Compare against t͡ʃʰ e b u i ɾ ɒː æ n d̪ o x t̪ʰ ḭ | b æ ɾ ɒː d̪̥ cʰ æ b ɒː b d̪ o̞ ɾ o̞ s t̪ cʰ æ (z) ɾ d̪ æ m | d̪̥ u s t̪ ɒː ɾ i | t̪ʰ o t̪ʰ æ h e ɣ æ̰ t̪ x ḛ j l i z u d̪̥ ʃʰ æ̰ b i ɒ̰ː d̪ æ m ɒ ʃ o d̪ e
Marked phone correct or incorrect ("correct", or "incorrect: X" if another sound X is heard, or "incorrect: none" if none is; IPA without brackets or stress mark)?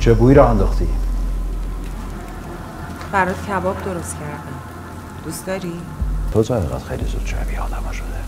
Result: incorrect: none